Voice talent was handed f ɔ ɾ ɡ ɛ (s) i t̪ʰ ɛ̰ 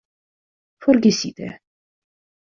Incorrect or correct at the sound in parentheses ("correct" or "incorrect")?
correct